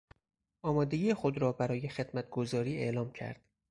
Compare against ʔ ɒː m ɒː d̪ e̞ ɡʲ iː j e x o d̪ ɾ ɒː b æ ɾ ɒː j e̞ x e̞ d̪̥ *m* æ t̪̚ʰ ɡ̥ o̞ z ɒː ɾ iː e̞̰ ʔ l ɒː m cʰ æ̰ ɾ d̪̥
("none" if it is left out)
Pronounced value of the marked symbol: m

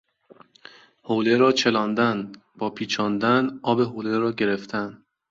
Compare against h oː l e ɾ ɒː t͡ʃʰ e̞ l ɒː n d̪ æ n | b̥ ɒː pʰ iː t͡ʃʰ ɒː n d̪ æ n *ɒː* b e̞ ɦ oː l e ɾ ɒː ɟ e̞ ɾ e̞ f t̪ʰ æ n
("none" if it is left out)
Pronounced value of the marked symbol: ɒː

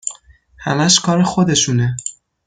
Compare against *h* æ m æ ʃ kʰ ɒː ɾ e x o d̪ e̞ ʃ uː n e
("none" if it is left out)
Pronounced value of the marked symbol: h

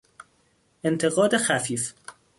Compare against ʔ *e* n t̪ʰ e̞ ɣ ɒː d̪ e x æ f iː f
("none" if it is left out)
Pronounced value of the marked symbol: e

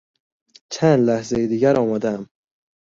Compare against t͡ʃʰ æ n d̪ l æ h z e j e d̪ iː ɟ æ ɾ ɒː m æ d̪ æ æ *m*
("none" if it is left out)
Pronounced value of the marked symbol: m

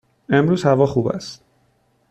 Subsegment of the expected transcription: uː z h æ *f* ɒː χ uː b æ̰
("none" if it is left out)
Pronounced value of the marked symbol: v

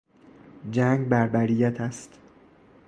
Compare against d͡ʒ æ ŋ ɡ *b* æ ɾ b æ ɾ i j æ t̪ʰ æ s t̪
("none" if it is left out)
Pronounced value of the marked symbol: b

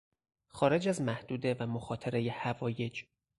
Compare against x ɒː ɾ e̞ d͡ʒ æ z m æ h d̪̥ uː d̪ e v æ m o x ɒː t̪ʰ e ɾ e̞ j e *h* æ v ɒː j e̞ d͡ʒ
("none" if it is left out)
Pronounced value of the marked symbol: h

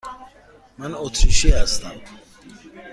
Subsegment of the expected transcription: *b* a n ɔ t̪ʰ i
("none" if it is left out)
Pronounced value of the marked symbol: m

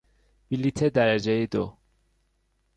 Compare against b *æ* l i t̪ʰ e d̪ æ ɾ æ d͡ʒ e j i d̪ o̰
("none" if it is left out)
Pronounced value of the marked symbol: i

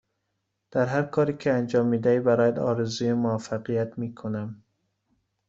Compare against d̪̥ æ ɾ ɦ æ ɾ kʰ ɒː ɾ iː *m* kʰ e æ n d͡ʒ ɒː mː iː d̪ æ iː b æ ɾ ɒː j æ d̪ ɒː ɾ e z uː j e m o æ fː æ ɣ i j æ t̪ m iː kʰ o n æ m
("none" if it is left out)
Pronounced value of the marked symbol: none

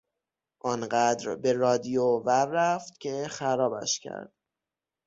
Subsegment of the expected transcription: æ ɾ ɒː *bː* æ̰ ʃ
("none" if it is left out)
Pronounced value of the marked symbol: b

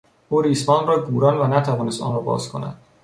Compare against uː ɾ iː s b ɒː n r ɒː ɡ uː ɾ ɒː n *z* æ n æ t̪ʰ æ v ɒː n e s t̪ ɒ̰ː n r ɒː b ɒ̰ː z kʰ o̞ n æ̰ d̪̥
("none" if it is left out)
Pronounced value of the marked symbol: v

